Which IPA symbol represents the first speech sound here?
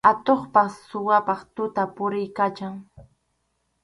a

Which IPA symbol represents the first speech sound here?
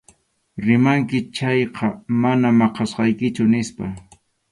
ɾ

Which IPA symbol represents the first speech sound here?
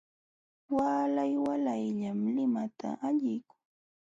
w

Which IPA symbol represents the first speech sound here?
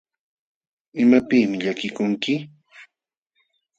ɪ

